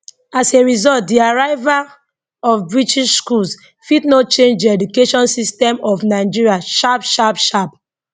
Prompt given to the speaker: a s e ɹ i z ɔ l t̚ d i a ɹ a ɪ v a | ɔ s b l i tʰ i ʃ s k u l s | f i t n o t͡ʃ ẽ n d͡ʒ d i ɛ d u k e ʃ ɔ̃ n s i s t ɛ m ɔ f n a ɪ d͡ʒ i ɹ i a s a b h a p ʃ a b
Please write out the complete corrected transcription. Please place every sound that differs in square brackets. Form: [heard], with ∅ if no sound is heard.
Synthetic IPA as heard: a s e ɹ i z ɔ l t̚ d i a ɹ a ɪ v a | ɔ [f] b [ɹ] i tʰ i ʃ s k u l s | f i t n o t͡ʃ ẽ n d͡ʒ d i ɛ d u k e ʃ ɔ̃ n s i s t ɛ m ɔ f n a ɪ d͡ʒ i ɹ i a [ʃ] a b [ʃ] a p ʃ a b